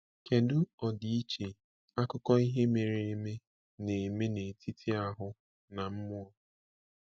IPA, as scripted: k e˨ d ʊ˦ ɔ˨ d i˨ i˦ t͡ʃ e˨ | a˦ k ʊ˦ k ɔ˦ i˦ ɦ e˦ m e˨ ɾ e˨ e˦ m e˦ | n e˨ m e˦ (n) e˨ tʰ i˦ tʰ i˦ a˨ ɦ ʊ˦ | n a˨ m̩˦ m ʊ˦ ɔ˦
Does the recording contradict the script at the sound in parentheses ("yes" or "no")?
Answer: no